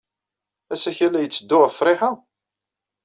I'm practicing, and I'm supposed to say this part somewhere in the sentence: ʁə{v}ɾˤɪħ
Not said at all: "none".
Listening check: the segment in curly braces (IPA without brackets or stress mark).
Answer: f